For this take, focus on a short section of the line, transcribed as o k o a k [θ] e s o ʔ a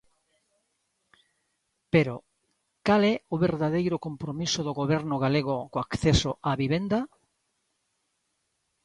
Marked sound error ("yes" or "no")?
no